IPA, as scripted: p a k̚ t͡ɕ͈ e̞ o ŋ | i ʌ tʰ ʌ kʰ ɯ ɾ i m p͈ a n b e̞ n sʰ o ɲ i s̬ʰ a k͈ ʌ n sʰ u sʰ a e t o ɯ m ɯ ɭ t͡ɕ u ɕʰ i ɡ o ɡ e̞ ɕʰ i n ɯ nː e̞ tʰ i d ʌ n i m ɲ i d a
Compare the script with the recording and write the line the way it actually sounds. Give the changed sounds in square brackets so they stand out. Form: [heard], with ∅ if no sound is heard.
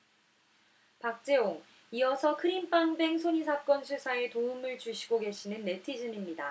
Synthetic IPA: p a k̚ t͡ɕ͈ e̞ o ŋ | i ʌ [sʰ] ʌ kʰ ɯ ɾ i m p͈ a [ŋ] b e̞ [ŋ] sʰ o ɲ i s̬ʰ a k͈ ʌ n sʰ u sʰ a e t o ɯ m ɯ ɭ t͡ɕ u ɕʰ i ɡ o ɡ e̞ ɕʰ i n ɯ nː e̞ tʰ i [d͡ʑ] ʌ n i m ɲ i d a